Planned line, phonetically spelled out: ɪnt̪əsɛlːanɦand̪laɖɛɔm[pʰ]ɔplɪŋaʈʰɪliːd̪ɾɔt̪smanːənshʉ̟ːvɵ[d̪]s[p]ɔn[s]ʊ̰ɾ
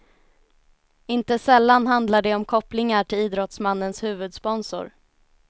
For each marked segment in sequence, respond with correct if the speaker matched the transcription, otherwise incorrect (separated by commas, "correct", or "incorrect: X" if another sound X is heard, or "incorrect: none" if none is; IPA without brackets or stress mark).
incorrect: kʰ, correct, correct, correct